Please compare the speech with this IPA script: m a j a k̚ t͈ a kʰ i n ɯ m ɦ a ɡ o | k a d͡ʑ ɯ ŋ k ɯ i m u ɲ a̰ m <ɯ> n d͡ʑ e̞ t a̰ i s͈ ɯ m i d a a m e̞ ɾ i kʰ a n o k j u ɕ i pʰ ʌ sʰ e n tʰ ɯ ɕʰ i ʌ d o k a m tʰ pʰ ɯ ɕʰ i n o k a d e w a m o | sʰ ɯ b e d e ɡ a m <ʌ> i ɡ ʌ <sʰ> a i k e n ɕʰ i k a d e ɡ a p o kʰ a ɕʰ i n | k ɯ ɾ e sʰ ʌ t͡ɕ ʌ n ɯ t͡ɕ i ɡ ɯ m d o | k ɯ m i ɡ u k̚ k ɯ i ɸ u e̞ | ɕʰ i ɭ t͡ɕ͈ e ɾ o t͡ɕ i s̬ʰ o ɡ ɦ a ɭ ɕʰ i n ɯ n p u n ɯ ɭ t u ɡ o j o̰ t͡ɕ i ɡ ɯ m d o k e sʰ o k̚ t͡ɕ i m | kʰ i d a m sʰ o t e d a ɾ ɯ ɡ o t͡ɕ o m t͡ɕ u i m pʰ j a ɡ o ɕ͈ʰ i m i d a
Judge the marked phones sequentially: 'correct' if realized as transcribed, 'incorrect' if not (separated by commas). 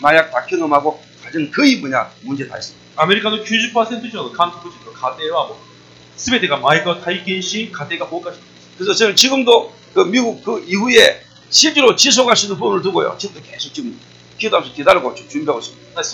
incorrect, incorrect, incorrect